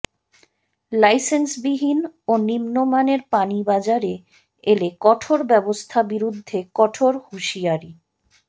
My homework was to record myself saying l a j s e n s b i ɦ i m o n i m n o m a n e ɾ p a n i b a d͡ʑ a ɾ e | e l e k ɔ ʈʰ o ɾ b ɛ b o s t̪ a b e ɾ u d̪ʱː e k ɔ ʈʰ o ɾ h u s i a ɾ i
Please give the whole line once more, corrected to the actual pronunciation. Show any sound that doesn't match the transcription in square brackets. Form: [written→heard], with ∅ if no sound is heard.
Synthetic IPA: l a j s e n s b i ɦ i [m→n] o n i m n o m a n e ɾ p a n i b a d͡ʑ a ɾ e | e l e k ɔ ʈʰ o ɾ b ɛ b o s [t̪→t̪ʰ] a b [e→i] ɾ u d̪ʱː e k ɔ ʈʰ o ɾ h u [s→ʃ] i a ɾ i